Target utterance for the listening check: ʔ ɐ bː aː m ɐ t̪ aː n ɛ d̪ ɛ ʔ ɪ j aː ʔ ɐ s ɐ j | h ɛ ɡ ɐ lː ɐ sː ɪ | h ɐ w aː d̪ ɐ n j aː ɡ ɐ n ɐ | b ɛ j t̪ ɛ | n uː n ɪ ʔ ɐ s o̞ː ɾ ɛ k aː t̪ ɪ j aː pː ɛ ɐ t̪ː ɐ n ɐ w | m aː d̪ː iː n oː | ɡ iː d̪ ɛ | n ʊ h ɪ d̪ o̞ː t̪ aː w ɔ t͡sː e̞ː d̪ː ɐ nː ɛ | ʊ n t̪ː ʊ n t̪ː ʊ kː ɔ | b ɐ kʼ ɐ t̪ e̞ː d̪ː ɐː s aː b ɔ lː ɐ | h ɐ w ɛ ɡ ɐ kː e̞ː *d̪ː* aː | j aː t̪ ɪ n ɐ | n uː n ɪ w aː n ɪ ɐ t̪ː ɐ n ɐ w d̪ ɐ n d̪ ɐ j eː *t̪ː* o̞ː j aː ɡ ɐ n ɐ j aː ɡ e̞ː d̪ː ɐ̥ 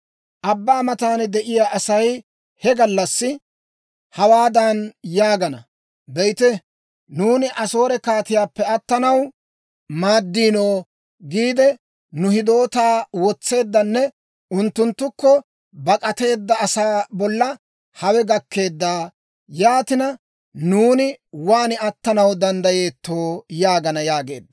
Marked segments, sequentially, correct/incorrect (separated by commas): correct, correct